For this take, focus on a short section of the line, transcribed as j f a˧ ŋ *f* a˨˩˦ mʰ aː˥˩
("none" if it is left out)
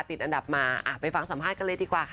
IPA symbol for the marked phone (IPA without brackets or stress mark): s